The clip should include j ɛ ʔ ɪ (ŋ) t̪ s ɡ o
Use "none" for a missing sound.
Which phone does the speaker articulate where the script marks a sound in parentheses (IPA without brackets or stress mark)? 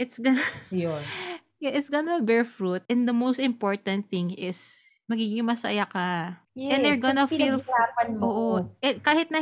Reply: none